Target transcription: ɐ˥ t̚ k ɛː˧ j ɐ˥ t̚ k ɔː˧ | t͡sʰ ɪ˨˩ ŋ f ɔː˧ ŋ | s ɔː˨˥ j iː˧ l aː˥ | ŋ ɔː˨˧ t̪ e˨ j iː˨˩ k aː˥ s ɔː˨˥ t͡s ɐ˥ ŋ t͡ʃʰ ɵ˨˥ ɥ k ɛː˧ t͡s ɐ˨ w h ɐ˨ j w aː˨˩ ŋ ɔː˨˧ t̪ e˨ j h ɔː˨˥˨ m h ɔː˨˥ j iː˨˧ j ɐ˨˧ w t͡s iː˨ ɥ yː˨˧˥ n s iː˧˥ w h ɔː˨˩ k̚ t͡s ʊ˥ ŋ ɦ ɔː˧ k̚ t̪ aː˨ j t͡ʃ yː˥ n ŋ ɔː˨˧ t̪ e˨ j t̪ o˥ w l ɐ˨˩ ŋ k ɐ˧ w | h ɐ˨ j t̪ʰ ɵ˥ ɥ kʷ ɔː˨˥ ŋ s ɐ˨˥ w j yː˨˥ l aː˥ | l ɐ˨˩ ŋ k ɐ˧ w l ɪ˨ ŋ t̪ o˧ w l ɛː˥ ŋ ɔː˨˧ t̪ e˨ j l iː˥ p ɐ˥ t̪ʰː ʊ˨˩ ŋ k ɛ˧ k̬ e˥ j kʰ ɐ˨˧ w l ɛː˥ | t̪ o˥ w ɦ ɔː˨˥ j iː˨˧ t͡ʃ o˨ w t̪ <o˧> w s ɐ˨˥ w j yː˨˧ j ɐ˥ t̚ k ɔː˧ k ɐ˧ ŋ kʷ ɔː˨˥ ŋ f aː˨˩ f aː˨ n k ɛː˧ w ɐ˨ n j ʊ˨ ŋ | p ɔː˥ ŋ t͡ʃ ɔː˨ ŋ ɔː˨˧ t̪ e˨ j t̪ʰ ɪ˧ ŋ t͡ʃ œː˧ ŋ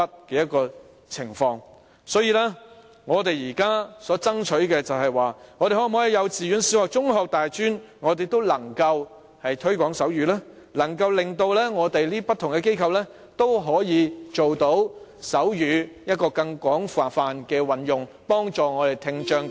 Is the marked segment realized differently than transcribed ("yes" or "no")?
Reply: yes